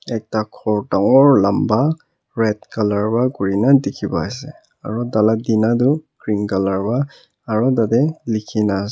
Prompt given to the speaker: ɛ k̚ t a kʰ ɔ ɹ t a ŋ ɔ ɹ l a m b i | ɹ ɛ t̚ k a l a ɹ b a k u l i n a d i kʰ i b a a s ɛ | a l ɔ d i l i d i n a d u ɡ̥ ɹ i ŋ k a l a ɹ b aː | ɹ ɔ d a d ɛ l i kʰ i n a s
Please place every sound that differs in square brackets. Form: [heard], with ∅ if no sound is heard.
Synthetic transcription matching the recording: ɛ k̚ t a kʰ ɔ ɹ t a ŋ ɔ ɹ l a m b [a] | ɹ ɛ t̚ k a l a ɹ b a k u [ɹ] i n a d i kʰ i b a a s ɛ | a [ɹ] ɔ d [a] l [a] d i n a d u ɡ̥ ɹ i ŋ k a l a ɹ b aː | ɹ ɔ d a d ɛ l i kʰ i n a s